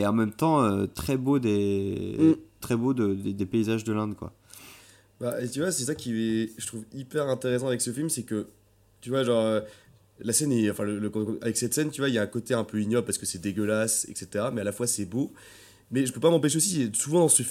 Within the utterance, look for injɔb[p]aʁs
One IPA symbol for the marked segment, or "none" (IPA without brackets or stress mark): p